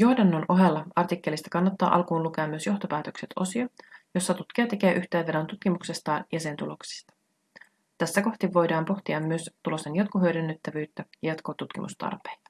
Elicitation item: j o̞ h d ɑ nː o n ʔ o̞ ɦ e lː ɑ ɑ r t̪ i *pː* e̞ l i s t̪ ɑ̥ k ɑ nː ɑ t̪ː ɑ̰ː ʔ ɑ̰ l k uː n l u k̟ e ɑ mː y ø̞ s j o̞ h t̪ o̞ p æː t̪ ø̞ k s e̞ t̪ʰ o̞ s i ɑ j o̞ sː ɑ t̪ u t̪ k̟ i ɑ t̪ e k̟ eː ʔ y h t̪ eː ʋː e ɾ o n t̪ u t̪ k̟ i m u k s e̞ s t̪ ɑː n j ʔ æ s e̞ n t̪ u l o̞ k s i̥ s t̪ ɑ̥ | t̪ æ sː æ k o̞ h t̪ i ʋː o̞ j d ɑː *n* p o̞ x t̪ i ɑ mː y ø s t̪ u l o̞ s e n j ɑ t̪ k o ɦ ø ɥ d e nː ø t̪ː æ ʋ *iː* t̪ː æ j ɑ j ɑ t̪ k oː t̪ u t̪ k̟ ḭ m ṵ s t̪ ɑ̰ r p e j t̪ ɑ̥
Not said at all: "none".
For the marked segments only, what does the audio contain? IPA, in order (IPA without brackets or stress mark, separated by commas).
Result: kː, m, yː